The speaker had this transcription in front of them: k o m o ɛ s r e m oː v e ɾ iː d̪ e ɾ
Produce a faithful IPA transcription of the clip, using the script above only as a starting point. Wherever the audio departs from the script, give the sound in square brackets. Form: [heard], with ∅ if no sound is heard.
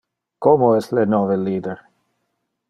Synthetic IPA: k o m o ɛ s [l] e [n] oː v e [l] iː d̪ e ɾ